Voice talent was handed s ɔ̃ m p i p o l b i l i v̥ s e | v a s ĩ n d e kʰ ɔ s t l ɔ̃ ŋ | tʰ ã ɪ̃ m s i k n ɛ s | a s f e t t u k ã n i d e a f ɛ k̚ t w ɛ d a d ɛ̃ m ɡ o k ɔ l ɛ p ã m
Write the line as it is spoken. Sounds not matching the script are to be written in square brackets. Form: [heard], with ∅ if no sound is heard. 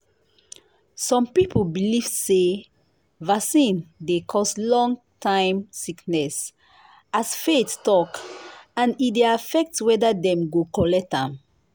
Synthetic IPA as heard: s ɔ̃ m p i p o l b i l i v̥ s e | v a s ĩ n d e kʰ ɔ s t l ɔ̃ ŋ | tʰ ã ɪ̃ m s i k n ɛ s | a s f e t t [ɔ] k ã n i d e a f ɛ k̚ t w ɛ d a d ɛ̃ m ɡ o k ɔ l ɛ [t] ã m